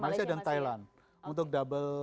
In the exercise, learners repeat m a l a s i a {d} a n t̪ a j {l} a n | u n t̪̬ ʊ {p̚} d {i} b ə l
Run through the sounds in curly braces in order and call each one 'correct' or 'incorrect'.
correct, correct, incorrect, incorrect

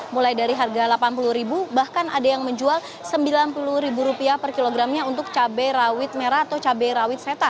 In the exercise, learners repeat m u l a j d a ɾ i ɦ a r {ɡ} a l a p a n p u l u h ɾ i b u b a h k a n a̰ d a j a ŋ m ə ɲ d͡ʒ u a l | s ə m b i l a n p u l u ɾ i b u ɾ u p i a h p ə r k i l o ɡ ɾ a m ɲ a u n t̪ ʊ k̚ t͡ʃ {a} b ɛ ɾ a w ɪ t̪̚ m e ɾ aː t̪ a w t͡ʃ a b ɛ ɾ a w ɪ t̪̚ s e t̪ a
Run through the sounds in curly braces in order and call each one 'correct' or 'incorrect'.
correct, correct

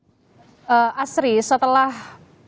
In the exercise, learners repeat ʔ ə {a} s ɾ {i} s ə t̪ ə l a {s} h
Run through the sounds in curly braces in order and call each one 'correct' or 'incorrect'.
correct, correct, incorrect

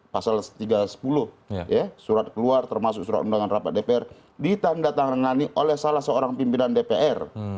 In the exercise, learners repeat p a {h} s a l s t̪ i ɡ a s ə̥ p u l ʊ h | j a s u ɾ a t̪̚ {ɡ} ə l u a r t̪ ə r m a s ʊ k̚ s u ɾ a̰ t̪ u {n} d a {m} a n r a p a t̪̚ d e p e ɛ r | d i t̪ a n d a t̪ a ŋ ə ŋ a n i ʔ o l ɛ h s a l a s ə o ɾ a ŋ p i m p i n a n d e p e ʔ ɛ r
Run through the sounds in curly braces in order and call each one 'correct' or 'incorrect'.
incorrect, incorrect, correct, incorrect

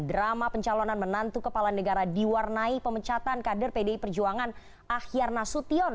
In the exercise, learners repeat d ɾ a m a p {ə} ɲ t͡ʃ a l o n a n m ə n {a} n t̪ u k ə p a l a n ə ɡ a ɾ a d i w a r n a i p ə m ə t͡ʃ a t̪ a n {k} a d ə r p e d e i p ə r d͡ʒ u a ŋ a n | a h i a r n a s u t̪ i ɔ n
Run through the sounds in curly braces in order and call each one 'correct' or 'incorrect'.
correct, correct, correct

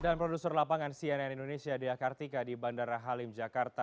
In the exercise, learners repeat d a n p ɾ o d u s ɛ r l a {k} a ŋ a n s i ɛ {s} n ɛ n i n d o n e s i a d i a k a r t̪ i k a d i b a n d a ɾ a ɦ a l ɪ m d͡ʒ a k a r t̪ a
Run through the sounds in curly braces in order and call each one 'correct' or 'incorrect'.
incorrect, incorrect

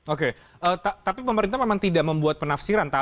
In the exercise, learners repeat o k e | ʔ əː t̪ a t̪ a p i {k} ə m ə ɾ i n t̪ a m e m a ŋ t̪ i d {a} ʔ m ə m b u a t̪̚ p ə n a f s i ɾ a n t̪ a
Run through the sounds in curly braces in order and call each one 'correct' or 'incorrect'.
incorrect, correct

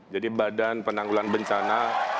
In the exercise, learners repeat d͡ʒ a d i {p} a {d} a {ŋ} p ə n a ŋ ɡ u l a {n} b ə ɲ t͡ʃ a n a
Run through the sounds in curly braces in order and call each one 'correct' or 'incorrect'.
incorrect, correct, incorrect, correct

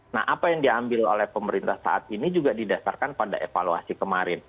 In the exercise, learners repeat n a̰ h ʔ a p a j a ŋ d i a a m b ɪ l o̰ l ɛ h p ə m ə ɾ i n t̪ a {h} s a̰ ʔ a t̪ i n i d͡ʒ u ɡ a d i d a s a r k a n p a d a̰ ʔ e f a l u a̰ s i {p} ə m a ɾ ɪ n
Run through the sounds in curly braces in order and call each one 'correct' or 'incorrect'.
correct, incorrect

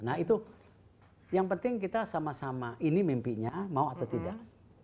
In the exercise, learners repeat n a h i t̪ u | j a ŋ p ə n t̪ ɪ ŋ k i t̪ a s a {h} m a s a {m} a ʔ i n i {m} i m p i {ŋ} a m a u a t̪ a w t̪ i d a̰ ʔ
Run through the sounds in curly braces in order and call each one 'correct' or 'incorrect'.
incorrect, correct, correct, incorrect

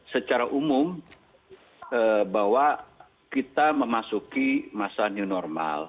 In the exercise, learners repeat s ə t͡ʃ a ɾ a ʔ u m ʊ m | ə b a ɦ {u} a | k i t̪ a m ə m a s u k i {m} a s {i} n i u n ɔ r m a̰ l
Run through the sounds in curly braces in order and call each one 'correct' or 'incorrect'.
incorrect, correct, incorrect

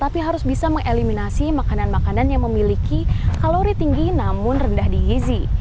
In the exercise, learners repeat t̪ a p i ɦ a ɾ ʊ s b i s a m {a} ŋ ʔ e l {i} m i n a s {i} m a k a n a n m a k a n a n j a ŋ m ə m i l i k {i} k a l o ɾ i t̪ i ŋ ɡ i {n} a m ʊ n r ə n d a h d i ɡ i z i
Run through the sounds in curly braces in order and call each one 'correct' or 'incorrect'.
incorrect, correct, correct, correct, correct

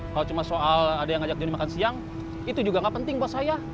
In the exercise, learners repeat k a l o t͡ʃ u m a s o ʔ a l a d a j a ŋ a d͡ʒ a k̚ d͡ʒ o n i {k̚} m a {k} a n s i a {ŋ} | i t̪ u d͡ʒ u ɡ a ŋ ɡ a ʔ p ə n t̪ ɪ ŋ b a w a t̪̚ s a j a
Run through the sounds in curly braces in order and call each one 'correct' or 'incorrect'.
incorrect, correct, correct

